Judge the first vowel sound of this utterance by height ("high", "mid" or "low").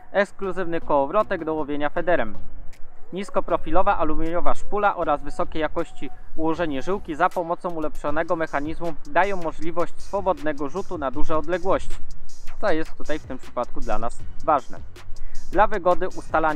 mid